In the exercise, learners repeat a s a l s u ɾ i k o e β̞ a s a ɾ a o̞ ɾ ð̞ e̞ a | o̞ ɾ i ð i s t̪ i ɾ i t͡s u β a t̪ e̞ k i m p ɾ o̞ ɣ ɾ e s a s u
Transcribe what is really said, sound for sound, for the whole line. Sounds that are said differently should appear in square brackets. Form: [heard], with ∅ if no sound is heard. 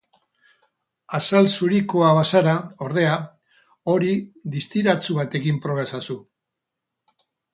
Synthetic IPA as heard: a s a l s u ɾ i k o [a] β̞ a s a ɾ a o̞ ɾ ð̞ e̞ a | o̞ ɾ i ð i s t̪ i ɾ [a] t͡s u β a t̪ e̞ k i m p ɾ o̞ ɣ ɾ e s a s u